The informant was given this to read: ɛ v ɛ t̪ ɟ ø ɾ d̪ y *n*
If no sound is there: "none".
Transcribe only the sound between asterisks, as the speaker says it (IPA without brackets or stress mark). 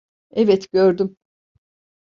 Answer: m